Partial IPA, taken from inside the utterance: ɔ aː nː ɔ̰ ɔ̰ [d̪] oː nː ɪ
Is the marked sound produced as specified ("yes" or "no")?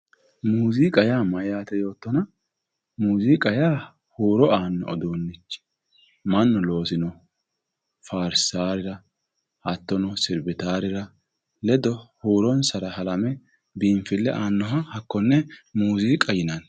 yes